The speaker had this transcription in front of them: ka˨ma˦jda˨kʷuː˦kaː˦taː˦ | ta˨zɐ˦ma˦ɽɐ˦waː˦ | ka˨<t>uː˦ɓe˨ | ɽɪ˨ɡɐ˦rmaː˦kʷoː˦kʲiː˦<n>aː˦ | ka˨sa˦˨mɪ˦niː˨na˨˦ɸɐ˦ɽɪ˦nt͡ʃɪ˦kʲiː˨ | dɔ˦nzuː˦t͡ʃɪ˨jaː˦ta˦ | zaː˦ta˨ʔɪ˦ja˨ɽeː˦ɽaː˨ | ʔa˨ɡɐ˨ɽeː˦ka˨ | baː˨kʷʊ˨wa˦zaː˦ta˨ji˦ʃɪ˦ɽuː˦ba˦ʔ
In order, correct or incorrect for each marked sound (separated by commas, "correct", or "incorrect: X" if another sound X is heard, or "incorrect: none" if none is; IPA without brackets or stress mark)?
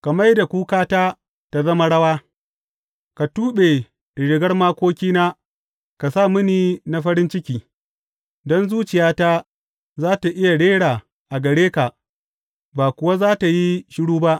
correct, correct